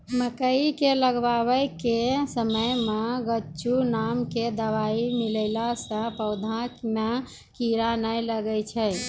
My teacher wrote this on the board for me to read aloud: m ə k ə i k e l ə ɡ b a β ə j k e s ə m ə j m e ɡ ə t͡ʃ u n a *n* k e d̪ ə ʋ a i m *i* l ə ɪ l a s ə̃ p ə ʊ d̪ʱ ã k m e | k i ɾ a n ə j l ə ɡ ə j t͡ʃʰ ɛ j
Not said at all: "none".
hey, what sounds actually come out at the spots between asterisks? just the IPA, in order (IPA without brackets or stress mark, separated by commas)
m, i